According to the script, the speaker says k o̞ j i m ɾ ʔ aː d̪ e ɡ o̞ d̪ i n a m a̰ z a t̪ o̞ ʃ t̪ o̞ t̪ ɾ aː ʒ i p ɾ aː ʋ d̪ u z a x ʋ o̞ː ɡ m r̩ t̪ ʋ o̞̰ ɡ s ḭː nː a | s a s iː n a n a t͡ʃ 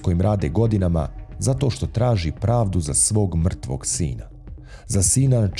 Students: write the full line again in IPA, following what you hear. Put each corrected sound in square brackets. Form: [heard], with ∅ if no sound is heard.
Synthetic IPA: k o̞ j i m ɾ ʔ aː d̪ e ɡ o̞ d̪ i n a m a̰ z a t̪ o̞ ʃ t̪ o̞ t̪ ɾ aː ʒ i p ɾ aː ʋ d̪ u z a [s] ʋ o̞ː ɡ m r̩ t̪ ʋ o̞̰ ɡ s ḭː [n] a | [z] a s iː n a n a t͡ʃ